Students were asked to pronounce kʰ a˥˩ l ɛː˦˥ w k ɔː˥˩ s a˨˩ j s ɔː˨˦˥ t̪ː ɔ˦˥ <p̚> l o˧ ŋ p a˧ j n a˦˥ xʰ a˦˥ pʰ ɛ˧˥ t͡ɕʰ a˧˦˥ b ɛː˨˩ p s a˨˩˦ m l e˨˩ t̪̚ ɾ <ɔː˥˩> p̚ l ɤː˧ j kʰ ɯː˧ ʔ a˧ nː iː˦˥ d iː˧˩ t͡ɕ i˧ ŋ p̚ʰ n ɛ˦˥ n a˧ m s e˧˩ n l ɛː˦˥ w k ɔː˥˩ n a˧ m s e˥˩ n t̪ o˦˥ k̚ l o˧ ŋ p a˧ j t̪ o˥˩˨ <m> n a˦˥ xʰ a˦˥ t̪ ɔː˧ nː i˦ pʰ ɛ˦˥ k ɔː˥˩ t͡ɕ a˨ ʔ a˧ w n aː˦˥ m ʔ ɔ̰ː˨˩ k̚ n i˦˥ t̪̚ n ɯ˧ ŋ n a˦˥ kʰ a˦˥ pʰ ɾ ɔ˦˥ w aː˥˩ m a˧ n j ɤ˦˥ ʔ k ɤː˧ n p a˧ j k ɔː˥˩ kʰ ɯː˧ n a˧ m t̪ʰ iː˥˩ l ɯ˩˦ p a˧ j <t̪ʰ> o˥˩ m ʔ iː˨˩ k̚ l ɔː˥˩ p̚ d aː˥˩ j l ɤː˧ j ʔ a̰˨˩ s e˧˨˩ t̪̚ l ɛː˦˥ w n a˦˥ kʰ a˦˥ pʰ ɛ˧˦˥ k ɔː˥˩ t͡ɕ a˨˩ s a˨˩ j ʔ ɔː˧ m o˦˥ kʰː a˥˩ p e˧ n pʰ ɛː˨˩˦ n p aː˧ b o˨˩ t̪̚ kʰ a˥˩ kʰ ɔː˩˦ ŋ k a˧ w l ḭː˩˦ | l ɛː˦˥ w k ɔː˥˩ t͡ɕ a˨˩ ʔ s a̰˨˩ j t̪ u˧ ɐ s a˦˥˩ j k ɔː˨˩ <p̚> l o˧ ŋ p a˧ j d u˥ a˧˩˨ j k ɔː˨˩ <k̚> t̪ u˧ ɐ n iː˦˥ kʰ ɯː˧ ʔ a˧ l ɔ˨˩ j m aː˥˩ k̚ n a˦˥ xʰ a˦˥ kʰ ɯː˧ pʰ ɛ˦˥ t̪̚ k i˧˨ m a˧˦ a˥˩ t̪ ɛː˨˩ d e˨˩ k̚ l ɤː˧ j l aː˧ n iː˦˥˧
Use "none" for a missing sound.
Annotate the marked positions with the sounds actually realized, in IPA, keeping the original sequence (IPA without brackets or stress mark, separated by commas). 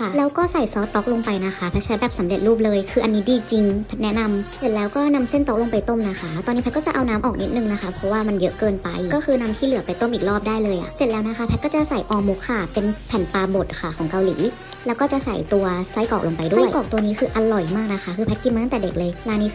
k̚, uː˥˩, m, t̪, k̚, k̚